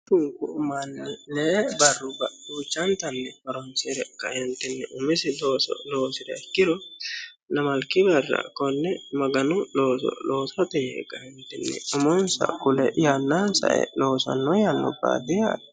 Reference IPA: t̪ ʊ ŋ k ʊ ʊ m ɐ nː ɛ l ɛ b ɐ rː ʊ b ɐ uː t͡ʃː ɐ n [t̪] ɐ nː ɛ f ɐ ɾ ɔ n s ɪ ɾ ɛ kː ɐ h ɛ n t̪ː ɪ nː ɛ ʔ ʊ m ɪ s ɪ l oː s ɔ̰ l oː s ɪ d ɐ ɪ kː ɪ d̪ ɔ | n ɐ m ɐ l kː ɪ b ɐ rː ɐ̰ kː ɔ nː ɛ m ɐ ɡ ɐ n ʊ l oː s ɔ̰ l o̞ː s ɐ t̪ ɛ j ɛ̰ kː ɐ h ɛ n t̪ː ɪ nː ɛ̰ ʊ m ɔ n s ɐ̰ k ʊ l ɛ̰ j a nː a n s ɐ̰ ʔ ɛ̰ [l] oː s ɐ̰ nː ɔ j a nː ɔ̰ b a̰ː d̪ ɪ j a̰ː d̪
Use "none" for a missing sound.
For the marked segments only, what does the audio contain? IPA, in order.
t̪, l

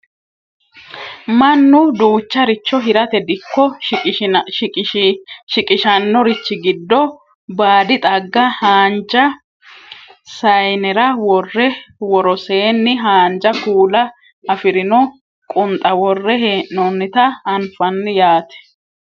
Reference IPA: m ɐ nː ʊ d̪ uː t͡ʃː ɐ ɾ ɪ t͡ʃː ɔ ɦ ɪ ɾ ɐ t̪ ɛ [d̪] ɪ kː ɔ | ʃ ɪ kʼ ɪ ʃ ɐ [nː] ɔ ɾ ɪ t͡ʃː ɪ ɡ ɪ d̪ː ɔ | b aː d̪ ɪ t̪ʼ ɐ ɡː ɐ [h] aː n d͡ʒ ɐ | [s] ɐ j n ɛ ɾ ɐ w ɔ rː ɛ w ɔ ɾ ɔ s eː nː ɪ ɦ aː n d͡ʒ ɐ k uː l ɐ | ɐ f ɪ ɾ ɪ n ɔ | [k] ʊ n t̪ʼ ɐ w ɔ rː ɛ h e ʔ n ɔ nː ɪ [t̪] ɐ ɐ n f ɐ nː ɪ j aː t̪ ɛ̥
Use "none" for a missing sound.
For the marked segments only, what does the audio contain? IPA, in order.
d̪, nː, h, s, kʼ, t̪

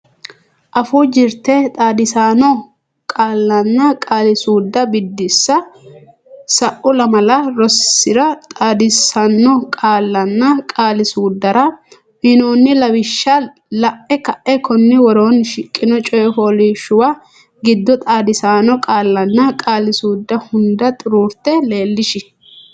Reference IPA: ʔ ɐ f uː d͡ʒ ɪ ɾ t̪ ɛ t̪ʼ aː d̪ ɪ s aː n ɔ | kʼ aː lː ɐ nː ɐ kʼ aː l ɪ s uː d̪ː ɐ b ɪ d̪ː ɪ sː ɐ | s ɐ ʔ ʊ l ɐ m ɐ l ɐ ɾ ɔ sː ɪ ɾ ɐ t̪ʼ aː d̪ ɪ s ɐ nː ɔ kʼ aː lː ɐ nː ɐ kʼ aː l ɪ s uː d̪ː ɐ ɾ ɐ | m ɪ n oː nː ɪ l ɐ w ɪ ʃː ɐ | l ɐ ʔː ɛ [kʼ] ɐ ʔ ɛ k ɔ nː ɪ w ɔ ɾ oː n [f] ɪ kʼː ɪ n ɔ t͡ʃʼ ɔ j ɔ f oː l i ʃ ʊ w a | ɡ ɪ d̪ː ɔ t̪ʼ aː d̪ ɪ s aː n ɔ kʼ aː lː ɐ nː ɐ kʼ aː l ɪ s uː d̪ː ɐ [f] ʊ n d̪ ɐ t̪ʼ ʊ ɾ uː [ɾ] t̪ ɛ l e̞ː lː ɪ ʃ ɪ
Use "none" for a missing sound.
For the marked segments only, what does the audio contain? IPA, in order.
k, ʃ, h, ɾ

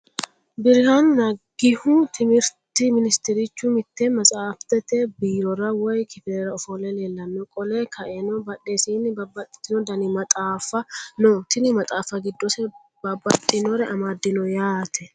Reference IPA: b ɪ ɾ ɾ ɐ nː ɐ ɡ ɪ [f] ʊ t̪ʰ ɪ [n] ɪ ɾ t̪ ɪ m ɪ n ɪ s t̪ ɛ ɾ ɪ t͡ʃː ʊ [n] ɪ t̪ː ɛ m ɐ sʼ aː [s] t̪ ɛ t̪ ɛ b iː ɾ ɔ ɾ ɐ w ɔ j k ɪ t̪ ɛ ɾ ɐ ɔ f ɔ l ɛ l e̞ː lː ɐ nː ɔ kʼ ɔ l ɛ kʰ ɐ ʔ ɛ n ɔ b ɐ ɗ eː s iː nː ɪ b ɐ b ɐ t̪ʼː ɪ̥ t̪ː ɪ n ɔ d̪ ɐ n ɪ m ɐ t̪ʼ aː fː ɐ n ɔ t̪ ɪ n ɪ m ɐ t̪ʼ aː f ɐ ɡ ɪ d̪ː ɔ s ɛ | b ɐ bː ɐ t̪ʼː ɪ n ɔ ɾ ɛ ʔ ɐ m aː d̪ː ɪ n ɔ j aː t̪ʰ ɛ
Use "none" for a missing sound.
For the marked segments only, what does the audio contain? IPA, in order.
h, m, m, f

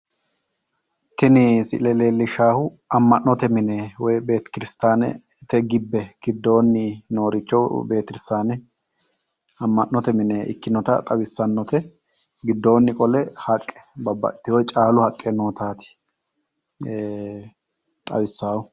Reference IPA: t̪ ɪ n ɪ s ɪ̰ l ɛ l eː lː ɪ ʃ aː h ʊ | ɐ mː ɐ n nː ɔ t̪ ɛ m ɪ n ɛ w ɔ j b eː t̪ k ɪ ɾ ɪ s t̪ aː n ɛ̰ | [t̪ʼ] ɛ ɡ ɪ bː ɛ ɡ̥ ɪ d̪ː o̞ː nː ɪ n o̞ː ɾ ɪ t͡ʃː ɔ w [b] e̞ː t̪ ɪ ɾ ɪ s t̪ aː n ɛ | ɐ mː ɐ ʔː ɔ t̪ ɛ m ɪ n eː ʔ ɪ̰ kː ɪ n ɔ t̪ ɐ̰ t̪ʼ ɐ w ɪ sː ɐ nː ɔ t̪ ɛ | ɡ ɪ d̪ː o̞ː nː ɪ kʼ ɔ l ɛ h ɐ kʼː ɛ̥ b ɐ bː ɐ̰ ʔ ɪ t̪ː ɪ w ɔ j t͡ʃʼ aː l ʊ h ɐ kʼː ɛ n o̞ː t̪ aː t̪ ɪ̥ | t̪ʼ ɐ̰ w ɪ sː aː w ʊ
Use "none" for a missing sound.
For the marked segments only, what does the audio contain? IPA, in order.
t̪, b

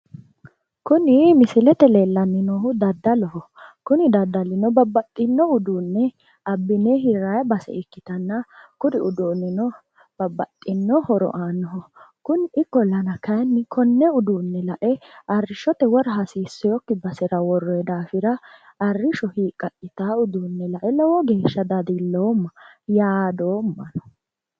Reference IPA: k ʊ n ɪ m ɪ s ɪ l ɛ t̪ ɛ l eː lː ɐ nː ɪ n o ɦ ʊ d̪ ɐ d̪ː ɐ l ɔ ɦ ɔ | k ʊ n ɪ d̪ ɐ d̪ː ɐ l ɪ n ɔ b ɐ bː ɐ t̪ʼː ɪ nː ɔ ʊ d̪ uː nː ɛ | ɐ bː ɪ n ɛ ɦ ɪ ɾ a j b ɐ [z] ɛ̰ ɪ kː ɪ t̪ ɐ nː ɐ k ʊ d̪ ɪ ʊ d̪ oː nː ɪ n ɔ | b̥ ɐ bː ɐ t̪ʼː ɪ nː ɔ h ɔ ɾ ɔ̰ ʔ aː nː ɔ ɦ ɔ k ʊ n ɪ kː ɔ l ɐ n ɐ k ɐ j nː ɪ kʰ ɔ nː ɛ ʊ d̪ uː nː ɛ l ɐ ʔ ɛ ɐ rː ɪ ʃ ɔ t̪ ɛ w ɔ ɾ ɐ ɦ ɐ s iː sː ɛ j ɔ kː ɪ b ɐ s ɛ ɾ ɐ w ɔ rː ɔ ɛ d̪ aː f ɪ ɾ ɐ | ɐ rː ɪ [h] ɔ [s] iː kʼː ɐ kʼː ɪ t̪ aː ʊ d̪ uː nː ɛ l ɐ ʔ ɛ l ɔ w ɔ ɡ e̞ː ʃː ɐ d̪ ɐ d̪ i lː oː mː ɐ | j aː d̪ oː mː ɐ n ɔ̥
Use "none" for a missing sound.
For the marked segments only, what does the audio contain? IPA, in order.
s, ʃ, h

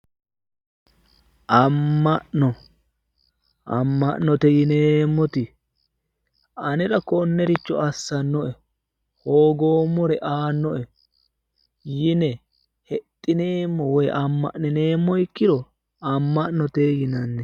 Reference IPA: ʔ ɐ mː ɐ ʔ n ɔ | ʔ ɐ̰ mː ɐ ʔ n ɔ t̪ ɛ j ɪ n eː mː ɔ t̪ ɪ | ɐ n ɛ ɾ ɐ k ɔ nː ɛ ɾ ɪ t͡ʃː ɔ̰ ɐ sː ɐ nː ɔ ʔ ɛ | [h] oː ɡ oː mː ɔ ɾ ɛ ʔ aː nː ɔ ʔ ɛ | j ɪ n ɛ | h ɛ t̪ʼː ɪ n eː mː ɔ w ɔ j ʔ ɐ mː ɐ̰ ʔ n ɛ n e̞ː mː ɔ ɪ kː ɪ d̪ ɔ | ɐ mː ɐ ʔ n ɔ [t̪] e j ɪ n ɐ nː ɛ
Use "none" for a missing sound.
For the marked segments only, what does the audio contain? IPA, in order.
h, t̪

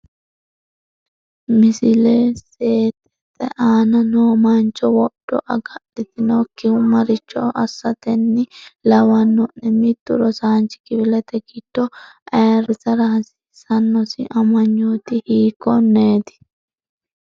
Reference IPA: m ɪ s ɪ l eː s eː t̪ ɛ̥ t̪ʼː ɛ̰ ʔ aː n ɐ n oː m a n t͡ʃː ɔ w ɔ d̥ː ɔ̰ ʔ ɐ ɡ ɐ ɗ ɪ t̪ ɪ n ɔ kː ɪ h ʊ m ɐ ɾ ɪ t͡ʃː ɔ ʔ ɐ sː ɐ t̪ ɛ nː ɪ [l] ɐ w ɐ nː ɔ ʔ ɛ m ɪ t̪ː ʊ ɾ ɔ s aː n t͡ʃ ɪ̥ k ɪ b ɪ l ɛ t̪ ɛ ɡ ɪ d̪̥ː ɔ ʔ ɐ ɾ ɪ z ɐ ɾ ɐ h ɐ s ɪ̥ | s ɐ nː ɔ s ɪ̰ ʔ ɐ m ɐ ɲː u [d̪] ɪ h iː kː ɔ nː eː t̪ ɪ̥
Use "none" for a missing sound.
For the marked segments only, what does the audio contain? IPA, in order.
l, t̪

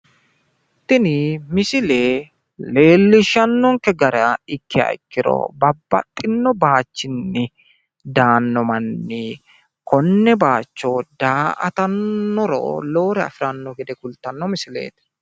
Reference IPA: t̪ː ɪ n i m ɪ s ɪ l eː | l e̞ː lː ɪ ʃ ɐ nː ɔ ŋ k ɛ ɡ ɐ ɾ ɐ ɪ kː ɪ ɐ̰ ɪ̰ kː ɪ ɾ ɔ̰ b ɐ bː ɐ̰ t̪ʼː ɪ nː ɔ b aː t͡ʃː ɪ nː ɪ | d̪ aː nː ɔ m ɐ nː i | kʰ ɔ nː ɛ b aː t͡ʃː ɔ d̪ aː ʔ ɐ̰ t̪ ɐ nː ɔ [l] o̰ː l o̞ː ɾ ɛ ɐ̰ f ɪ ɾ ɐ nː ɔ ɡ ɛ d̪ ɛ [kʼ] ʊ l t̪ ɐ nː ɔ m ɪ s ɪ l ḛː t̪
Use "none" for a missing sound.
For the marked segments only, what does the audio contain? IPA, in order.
ɾ, k

